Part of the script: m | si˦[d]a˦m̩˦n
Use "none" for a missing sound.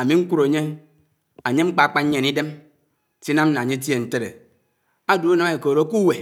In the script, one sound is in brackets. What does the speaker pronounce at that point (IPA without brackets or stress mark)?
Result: n